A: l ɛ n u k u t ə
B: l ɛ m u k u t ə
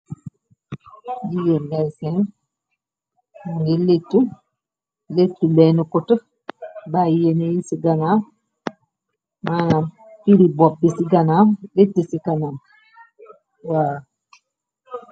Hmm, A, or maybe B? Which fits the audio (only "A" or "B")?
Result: A